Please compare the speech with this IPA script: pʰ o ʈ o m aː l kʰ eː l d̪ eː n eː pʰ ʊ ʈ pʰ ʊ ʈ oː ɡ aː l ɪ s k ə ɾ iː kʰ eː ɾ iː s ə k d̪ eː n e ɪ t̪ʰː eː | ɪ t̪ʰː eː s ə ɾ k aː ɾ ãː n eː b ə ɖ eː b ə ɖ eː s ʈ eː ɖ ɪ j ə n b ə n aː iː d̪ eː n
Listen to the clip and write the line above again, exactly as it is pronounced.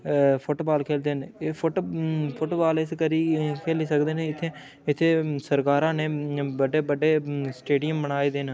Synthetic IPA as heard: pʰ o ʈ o b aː l kʰ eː l d̪ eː n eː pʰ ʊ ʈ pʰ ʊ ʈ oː b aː l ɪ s k ə ɾ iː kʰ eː l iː s ə k d̪ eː n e ɪ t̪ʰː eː | ɪ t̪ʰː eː s ə ɾ k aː ɾ ãː n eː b ə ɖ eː b ə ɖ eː s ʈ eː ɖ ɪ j ə m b ə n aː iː d̪ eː n

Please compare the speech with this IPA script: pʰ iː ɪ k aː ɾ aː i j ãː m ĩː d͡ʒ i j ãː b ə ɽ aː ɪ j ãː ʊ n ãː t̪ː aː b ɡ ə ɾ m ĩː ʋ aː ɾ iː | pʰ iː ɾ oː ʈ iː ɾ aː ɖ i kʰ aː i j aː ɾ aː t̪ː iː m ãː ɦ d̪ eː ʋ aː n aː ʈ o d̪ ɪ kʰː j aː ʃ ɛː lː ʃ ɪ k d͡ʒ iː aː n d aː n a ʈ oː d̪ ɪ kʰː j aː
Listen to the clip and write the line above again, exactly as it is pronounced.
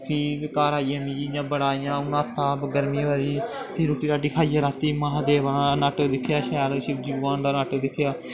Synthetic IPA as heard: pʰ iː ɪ k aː ɾ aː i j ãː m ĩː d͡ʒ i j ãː b ə ɽ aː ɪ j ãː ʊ n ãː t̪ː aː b ɡ ə ɾ m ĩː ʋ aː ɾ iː | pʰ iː ɾ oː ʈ iː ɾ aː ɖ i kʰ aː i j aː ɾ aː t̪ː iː m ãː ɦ d̪ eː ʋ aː n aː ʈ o d̪ ɪ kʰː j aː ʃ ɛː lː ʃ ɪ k d͡ʒ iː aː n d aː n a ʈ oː d̪ ɪ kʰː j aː

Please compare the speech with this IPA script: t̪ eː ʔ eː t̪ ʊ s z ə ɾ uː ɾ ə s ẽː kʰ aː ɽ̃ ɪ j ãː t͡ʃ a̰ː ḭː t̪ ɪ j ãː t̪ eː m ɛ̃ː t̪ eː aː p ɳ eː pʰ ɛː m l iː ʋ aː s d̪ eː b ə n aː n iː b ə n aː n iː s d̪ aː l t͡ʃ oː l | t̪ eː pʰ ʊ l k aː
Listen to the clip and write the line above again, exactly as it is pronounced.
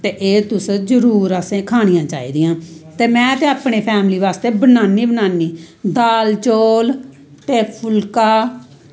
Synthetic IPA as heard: t̪ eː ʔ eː t̪ ʊ s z ə ɾ uː ɾ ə s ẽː kʰ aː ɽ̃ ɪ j ãː t͡ʃ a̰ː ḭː d̪ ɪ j ãː t̪ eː m ɛ̃ː t̪ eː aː p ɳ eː pʰ ɛː m l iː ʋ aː s t̪ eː b ə n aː n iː b ə n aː n iː d̪ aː l t͡ʃ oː l | t̪ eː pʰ ʊ l k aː

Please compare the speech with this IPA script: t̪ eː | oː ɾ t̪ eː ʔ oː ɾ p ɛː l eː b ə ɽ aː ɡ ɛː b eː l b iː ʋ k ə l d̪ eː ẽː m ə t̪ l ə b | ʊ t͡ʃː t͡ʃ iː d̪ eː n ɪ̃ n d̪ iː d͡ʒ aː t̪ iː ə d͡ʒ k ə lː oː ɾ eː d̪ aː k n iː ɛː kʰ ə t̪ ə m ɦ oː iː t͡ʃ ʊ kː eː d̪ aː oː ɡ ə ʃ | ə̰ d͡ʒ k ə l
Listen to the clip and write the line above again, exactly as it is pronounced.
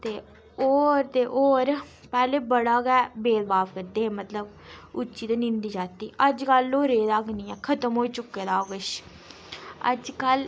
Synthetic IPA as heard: t̪ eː | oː ɾ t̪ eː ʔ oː ɾ p ɛː l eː b ə ɽ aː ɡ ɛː b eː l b aː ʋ k ə ɾ d̪ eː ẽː m ə t̪ l ə b | ʊ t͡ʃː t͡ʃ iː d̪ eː n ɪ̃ n d̪ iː d͡ʒ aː t̪ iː ə d͡ʒ k ə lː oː ɾ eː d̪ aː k n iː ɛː kʰ ə t̪ ə m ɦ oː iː t͡ʃ ʊ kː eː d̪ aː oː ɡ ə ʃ | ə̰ d͡ʒ k ə l

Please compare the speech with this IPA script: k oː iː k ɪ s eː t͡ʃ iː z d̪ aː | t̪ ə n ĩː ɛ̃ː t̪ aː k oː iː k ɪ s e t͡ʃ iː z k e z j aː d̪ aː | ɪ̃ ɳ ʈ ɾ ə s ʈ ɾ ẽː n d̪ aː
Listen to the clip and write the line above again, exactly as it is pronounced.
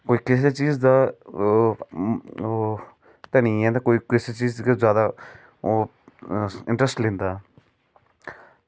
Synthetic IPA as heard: k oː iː k ɪ s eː t͡ʃ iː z d̪ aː | t̪ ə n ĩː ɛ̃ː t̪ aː k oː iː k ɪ s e t͡ʃ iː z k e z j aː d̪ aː | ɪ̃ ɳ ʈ ɾ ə s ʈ l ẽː n d̪ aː

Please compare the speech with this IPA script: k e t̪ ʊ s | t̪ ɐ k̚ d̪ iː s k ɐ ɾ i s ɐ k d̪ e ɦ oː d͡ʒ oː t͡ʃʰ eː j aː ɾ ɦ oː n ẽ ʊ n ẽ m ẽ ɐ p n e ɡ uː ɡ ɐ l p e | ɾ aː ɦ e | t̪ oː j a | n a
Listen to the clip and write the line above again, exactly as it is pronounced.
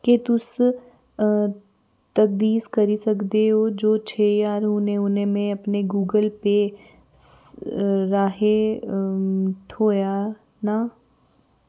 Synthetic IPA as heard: k e t̪ ʊ s | t̪ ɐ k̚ d̪ iː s k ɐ ɾ i s ɐ k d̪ e ɦ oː d͡ʒ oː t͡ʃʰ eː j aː ɾ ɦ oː n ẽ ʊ n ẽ m ẽ ɐ p n e ɡ uː ɡ ə l p e | ɾ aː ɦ e | t̪ʰ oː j a | n a

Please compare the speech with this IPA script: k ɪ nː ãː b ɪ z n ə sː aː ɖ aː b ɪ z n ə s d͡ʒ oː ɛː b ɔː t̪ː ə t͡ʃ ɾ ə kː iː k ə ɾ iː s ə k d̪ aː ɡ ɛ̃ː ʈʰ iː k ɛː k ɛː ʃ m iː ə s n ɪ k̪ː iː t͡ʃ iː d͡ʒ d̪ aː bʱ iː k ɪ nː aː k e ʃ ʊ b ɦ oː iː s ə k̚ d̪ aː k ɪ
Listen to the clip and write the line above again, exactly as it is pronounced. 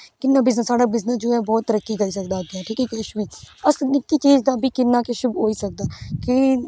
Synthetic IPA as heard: k ɪ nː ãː b ɪ z n ə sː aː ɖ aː b ɪ z n ə s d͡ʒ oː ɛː b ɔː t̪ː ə ɾ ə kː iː k ə ɾ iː s ə k d̪ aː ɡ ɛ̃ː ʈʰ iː k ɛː k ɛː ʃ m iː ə s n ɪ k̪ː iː t͡ʃ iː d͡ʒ d̪ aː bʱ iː k ɪ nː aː k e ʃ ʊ b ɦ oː iː s ə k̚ d̪ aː k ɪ

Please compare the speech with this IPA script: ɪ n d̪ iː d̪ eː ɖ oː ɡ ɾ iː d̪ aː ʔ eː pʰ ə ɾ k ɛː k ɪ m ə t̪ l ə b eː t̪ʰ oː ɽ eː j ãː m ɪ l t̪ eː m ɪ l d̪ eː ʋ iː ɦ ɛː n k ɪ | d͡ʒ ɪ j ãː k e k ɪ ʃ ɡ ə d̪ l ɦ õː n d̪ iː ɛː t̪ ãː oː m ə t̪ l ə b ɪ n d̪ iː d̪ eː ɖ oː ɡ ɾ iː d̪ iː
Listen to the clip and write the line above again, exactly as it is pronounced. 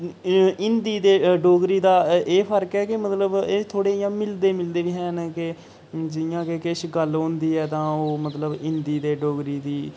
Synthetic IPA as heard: ɪ n d̪ iː d̪ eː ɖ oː ɡ ɾ iː d̪ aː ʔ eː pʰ ə ɾ k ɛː k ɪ m ə t̪ l ə b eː t̪ʰ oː ɽ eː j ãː m ɪ l d̪ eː m ɪ l d̪ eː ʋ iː ɦ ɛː n k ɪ | d͡ʒ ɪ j ãː k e k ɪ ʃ ɡ ə l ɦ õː n d̪ iː ɛː t̪ ãː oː m ə t̪ l ə b ɪ n d̪ iː d̪ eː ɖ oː ɡ ɾ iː d̪ iː

